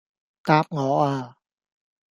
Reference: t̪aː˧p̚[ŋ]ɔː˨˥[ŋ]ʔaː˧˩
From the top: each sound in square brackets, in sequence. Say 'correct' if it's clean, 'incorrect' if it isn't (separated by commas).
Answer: correct, incorrect